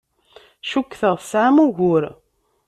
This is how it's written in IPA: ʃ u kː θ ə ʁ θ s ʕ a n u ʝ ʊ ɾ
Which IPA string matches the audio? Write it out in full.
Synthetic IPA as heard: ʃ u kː θ ə ʁ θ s ʕ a m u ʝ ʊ ɾ